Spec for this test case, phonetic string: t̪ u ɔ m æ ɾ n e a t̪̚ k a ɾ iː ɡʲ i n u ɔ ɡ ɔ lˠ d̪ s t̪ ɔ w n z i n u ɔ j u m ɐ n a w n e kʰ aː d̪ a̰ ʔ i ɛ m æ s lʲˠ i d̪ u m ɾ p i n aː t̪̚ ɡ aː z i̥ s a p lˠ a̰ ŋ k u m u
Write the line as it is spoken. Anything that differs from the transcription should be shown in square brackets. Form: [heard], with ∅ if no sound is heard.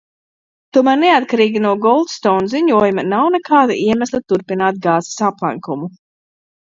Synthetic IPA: t̪ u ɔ m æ ɾ n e a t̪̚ k a ɾ iː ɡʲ i n u ɔ ɡ ɔ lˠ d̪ s t̪ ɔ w n z i [ɲ] u ɔ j u m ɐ n a w n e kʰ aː d̪ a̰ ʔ i ɛ m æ s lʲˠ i [t̪] u [∅] ɾ p i n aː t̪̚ ɡ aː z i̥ s a p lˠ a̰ ŋ k u m u